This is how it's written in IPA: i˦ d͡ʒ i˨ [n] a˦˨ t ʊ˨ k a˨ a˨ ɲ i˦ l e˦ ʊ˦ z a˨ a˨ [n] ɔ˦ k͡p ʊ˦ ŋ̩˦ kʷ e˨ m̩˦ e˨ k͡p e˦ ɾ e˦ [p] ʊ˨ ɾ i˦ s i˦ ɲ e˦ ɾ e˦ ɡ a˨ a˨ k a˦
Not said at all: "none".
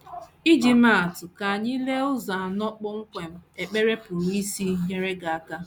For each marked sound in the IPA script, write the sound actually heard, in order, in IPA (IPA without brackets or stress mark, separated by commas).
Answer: m, n, p